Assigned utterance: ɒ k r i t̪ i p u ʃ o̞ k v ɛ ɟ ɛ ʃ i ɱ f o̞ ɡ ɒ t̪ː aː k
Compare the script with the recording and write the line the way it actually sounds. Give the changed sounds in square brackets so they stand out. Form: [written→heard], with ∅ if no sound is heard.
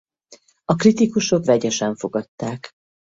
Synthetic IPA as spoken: ɒ k r i t̪ i [p→k] u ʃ o̞ k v ɛ ɟ ɛ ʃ [i→ɛ] ɱ f o̞ ɡ ɒ t̪ː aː k